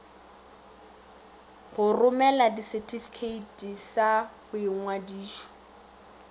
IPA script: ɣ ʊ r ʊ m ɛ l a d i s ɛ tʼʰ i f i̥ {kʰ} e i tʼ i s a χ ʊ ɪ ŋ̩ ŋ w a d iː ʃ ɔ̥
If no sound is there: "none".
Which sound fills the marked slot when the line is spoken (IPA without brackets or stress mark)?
kʰ